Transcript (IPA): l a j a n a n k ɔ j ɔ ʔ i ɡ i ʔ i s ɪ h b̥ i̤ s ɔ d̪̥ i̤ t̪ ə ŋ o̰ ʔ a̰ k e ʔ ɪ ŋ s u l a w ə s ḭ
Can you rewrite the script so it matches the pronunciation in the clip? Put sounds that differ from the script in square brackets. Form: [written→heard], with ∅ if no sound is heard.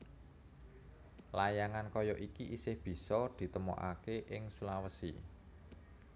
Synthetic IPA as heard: l a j a [n→ŋ] a n k ɔ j ɔ ʔ i [ɡ→k] i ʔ i s ɪ h b̥ i̤ s ɔ d̪̥ i̤ t̪ ə [ŋ→m] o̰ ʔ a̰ k e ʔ ɪ ŋ s u l a w ə s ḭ